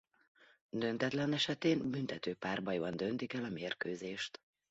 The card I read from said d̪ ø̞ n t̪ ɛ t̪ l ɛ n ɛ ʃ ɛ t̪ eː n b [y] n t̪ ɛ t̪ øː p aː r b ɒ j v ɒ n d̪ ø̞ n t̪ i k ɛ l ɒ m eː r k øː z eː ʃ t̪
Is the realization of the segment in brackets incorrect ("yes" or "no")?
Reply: no